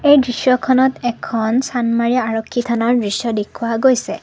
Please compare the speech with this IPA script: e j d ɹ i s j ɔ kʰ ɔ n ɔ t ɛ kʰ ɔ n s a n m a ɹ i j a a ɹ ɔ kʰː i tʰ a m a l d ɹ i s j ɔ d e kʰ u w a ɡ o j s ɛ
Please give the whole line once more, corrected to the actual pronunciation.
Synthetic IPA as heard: e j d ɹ i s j ɔ kʰ ɔ n ɔ t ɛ kʰ ɔ n s a n m a ɹ i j a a ɹ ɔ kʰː i tʰ a n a ɹ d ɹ i s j ɔ d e kʰ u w a ɡ o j s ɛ

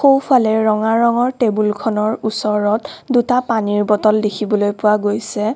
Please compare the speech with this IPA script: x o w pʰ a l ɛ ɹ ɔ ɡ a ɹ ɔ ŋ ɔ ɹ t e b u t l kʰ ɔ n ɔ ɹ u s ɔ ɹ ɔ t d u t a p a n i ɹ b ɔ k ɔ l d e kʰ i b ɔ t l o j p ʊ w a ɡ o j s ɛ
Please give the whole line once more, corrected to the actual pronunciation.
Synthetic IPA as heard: x o w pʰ a l ɛ ɹ ɔ ŋ a ɹ ɔ ŋ ɔ ɹ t e b u l kʰ ɔ n ɔ ɹ u s ɔ ɹ ɔ t d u t a p a n i ɹ b ɔ t ɔ l d e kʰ i b ɔ l o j p ʊ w a ɡ o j s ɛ

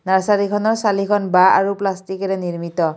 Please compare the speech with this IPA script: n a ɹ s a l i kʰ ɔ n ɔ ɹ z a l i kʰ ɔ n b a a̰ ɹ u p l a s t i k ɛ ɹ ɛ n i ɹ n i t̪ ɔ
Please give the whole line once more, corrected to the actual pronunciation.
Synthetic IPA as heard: n a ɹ s a l i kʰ ɔ n ɔ ɹ s a l i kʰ ɔ n b a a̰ ɹ u p l a s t i k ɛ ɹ ɛ n i ɹ m i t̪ ɔ

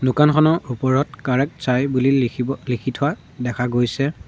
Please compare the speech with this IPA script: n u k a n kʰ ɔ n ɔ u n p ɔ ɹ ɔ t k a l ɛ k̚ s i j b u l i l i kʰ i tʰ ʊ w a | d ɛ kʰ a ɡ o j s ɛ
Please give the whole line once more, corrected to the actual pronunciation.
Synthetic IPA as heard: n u k a n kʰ ɔ n ɔ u p ɔ ɹ ɔ t k a ɹ ɛ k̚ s a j b u l i l i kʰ i tʰ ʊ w a | d ɛ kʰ a ɡ o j s ɛ

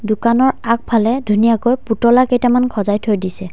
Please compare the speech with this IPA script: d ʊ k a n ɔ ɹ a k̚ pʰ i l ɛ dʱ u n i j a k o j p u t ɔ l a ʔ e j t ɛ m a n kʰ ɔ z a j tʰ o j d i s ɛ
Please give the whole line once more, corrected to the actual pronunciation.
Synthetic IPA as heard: d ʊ k a n ɔ ɹ a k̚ pʰ a l ɛ dʱ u n i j a k o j p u t ɔ l a k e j t a m a n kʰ ɔ z a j tʰ o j d i s ɛ

